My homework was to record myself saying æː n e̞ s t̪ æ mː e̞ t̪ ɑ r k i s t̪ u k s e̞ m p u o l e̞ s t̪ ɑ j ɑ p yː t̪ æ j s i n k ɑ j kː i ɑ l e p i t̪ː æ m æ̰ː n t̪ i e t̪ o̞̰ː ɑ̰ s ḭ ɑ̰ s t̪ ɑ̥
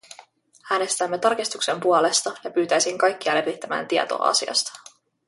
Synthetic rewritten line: æː n e̞ s t̪ æ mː e̞ t̪ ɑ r k i s t̪ u k s e̞ m p u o l e̞ s t̪ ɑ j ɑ p yː t̪ æ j s i ŋ k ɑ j kː i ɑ l e p i t̪ː æ m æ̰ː n t̪ i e t̪ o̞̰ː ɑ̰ s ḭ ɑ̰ s t̪ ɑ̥